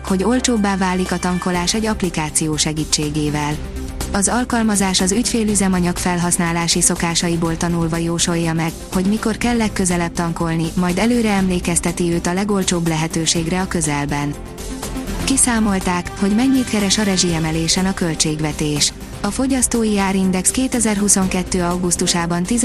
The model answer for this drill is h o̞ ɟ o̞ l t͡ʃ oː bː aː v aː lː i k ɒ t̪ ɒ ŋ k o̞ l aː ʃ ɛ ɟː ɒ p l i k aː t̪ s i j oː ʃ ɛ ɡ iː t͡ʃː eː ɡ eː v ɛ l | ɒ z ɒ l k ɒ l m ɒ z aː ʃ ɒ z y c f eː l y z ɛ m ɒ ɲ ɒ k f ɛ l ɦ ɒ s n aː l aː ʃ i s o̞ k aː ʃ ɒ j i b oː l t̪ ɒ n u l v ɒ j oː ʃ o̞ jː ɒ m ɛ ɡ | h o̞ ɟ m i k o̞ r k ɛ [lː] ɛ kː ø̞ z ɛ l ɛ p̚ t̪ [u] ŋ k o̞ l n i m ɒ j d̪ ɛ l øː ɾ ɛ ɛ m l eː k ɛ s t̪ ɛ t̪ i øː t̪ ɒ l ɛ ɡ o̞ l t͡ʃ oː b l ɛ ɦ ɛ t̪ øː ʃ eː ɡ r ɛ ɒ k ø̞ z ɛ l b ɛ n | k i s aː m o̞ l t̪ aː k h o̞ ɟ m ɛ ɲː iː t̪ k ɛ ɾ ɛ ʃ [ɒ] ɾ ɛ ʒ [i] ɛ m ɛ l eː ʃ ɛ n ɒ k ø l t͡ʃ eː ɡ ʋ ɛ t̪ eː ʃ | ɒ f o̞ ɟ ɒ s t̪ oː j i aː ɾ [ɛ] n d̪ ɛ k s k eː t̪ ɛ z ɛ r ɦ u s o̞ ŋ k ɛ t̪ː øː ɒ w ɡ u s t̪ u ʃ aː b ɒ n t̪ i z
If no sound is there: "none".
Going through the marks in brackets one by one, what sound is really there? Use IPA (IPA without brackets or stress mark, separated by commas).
lː, ɒ, ɒ, i, i